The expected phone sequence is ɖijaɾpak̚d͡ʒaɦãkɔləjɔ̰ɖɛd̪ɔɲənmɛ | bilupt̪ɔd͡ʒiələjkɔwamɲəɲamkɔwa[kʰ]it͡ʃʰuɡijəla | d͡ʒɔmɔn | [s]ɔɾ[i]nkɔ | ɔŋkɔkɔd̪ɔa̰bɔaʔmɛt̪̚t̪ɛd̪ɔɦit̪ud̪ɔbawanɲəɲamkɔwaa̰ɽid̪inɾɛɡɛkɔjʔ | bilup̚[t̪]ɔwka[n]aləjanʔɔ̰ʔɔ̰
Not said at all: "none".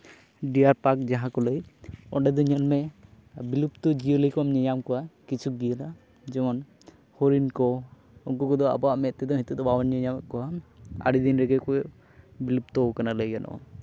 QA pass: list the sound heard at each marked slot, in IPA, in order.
k, h, i, t̪, n

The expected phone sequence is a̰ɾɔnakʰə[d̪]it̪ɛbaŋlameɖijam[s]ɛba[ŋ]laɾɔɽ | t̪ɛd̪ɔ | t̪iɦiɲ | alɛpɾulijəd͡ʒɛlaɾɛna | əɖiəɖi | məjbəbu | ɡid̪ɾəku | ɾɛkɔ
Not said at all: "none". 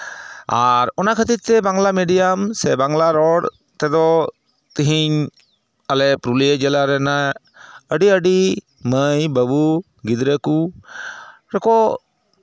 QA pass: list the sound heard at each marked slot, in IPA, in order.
t̪, s, ŋ

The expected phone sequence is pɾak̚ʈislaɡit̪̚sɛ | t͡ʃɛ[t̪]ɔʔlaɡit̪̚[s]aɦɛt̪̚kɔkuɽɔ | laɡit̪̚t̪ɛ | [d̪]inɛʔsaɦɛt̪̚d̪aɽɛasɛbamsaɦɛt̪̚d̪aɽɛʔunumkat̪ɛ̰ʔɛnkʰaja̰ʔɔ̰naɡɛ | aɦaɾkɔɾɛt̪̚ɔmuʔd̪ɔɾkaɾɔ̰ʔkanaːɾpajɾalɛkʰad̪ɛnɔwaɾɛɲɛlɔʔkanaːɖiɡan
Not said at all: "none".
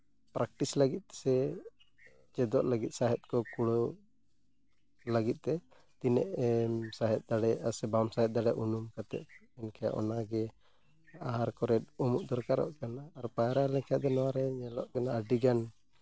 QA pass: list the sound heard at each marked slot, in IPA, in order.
d̪, s, t̪

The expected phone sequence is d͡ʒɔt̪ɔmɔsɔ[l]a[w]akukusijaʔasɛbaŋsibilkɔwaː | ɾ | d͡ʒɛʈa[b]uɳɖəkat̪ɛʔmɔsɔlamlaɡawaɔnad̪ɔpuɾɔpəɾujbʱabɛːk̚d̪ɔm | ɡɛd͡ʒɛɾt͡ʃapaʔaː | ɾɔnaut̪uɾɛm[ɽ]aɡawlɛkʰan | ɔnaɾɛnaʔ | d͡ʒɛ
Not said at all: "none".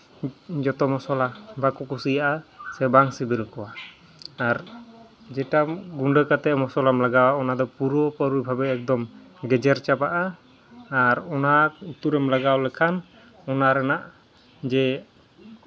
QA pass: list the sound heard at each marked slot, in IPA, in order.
l, b, ɡ, l

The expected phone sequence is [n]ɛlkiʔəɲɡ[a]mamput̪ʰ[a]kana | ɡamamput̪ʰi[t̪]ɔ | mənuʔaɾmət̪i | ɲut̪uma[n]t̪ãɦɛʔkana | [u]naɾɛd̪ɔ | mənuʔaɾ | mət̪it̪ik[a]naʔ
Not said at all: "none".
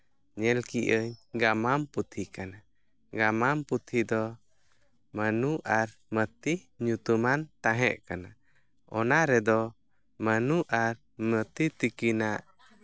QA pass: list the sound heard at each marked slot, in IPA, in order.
ɲ, a, i, d̪, n, ɔ, i

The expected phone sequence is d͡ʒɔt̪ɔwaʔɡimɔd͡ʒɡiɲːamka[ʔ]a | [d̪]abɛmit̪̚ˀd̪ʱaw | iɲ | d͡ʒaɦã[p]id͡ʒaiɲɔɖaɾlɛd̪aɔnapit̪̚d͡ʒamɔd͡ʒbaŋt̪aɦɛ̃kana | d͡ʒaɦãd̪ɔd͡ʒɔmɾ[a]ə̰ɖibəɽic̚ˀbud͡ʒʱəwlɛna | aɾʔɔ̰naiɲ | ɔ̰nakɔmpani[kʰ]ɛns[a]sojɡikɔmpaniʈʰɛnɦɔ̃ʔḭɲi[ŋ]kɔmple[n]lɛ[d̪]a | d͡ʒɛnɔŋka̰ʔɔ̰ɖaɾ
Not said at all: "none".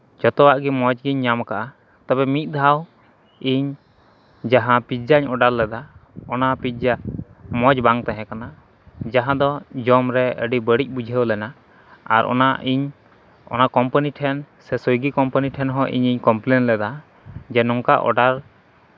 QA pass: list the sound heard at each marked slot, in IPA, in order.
ʔ, t̪, p, ɛ, ʈʰ, ɛ, ɲ, n, d̪

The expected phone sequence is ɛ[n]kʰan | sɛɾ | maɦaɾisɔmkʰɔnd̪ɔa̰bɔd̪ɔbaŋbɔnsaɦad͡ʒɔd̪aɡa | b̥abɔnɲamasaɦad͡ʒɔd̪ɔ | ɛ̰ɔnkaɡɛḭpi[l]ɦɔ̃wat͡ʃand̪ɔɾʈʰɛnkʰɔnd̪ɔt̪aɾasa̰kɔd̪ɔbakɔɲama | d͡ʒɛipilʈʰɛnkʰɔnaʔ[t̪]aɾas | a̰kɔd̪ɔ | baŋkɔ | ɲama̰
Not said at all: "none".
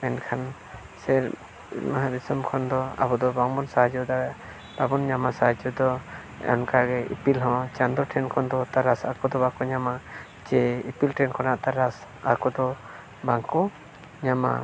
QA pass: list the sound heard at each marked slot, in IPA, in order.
n, l, t̪

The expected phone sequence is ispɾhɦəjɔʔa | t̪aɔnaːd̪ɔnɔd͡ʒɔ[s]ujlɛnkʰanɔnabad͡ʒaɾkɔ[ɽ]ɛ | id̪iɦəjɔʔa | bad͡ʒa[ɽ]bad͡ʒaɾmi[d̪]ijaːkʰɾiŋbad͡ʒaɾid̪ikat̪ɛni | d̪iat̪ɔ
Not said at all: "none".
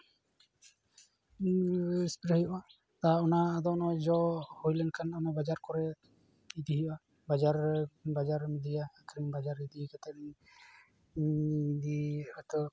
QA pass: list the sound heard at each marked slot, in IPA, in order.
h, ɾ, ɾ, d̪

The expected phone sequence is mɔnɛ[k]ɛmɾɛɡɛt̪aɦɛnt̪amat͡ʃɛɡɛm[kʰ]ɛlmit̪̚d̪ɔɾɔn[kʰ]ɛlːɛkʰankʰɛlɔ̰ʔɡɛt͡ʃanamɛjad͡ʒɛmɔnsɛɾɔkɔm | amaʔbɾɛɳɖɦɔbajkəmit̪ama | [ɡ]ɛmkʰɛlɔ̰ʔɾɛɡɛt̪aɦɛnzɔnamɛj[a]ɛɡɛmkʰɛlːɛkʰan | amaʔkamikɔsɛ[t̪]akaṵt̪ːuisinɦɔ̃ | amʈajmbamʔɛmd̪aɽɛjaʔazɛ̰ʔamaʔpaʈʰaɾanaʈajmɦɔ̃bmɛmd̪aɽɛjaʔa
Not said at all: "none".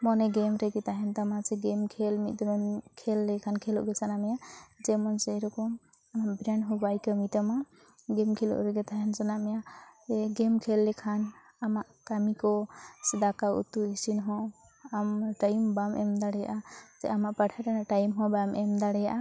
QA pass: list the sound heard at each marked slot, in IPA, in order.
ɡ, kʰ, kʰ, ɡ, a, d̪

